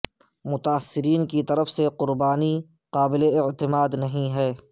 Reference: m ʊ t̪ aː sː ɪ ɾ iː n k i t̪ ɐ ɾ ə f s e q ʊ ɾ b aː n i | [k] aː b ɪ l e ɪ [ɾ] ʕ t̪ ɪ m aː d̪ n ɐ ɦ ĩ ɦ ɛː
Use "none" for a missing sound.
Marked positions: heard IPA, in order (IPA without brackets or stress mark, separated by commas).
q, none